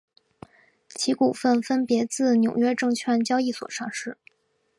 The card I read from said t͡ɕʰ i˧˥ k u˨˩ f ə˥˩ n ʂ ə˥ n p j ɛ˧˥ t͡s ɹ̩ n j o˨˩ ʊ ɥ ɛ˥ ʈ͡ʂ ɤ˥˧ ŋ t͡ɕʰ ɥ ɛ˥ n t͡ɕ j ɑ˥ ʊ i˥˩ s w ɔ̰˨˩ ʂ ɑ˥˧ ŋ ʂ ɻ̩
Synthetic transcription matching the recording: t͡ɕʰ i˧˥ k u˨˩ f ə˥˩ n f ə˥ n p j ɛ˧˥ t͡s ɹ̩ n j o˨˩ ʊ ɥ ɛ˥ ʈ͡ʂ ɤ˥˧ ŋ t͡ɕʰ ɥ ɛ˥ n t͡ɕ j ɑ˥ ʊ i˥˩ s w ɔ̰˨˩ ʂ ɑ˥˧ ŋ ʂ ɻ̩